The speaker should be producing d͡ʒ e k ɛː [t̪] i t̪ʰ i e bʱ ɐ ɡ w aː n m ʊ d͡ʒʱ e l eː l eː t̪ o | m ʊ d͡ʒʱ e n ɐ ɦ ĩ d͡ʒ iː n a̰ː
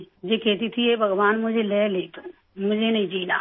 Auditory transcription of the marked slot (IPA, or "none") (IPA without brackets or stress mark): t̪